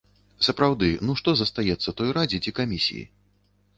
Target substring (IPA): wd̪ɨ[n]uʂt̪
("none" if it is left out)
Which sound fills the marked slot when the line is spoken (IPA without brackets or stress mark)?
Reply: n